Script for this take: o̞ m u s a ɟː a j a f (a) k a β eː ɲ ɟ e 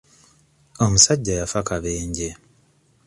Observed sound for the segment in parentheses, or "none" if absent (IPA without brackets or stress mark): a